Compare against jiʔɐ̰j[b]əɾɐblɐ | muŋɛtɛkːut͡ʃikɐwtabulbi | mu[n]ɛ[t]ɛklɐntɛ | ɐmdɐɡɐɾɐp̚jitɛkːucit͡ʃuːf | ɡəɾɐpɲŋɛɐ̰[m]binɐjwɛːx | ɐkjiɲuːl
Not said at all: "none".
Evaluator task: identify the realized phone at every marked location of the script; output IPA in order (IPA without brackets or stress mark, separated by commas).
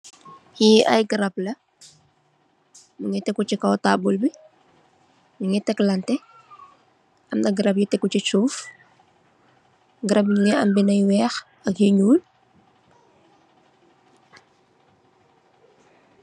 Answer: ɡ, ŋ, t, m